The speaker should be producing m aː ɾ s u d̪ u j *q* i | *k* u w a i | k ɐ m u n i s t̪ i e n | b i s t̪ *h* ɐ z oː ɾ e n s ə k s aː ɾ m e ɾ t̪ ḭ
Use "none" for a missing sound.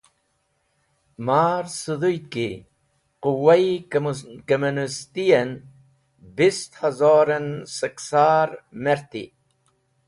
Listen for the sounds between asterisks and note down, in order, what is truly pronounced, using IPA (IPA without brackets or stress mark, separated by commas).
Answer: k, q, h